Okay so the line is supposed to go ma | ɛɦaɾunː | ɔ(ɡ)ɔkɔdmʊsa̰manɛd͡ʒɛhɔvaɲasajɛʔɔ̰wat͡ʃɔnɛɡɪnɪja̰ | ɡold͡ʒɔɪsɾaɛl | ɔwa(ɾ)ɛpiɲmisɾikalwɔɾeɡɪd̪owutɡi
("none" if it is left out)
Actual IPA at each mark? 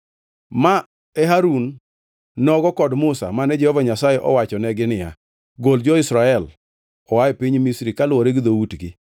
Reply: ɡ, none

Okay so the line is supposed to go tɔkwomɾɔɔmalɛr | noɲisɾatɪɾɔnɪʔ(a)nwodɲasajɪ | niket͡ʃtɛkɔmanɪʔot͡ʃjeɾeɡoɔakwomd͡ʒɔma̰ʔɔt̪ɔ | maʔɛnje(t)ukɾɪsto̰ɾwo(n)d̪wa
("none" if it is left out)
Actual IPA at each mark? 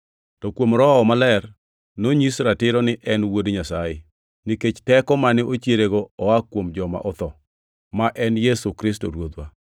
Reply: ɛ, s, none

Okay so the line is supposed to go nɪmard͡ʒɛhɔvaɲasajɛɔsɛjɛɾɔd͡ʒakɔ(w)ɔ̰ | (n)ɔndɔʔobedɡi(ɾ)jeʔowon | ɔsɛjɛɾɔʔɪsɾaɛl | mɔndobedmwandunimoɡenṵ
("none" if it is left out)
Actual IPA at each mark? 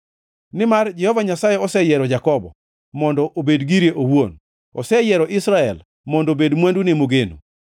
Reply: b, m, ɾ

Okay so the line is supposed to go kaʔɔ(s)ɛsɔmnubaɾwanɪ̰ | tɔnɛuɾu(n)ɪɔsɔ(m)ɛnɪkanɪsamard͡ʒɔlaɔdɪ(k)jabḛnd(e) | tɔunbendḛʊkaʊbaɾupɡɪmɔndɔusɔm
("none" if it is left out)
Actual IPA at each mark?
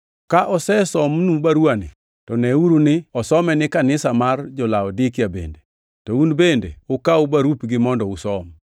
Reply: s, n, m, k, e

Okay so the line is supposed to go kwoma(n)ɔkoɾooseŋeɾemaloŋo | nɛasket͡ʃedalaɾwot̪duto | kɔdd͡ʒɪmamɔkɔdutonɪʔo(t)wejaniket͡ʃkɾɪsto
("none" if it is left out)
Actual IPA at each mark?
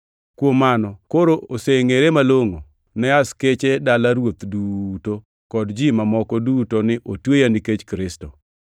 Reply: n, t

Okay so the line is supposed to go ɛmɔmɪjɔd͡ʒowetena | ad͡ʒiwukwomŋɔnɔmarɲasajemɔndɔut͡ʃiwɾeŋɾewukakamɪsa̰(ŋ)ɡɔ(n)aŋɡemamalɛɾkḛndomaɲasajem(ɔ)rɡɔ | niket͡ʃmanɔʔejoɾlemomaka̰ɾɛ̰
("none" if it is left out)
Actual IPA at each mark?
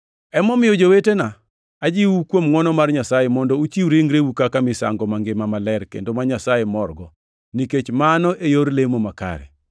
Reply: ŋ, m, ɔ

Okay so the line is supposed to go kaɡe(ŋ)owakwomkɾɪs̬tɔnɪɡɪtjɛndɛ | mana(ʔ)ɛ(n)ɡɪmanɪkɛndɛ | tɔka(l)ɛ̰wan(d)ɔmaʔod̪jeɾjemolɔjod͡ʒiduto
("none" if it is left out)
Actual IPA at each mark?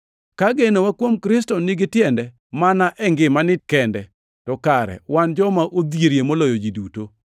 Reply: n, ʔ, ŋ, ɾ, d͡ʒ

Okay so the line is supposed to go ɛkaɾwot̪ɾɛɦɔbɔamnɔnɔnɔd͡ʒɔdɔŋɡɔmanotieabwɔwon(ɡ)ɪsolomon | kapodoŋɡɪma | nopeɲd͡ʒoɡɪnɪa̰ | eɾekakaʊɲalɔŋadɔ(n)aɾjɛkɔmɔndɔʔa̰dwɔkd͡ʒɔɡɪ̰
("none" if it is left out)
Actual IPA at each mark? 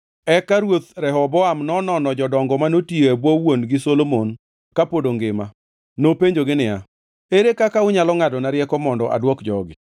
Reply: ɡ, n

